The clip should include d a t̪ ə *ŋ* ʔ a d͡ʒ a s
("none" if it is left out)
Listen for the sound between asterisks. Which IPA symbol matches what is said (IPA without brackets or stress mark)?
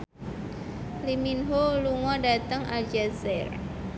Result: ŋ